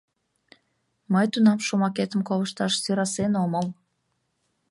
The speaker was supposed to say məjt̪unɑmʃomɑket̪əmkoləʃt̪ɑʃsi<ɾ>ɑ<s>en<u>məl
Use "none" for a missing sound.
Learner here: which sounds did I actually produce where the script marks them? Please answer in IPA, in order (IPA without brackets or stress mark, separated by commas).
ɾ, s, o